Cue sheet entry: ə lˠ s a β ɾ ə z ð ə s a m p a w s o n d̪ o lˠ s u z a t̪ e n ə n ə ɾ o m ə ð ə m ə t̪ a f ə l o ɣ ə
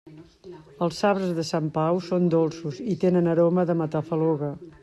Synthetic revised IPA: ə lˠ s a β ɾ ə z ð ə s a m p a w s o n d̪ o lˠ s u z i t̪ e n ə n ə ɾ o m ə ð ə m ə t̪ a f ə l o ɣ ə